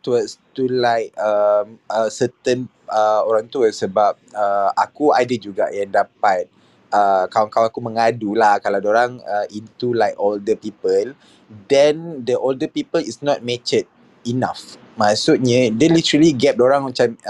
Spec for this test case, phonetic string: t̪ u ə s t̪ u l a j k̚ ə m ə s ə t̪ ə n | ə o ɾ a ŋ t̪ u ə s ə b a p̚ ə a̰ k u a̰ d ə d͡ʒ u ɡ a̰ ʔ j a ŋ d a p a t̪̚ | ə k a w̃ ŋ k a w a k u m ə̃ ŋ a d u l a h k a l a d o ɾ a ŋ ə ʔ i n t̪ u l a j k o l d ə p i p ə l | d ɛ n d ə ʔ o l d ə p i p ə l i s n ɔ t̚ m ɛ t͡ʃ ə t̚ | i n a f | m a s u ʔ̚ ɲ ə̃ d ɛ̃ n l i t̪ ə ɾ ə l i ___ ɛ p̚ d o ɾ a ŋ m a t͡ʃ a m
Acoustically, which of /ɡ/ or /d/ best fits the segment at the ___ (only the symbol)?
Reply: ɡ